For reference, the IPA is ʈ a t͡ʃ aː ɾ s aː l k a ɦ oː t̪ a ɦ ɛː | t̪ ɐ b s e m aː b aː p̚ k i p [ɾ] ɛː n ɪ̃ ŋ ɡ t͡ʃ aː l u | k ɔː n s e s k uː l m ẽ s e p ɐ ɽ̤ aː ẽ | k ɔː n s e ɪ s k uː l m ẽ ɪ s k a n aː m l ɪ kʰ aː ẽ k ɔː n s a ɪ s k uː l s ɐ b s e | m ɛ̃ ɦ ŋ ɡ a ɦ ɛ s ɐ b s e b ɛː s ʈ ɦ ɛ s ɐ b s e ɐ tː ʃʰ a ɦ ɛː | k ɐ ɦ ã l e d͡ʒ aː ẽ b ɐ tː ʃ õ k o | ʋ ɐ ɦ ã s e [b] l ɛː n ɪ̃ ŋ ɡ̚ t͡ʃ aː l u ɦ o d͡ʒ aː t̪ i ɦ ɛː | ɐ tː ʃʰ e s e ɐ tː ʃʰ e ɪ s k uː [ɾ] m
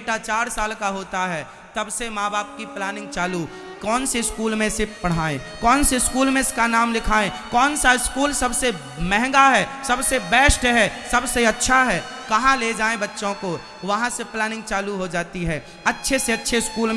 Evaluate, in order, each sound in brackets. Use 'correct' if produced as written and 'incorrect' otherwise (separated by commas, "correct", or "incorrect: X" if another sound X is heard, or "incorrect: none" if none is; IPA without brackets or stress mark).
incorrect: l, incorrect: p, incorrect: l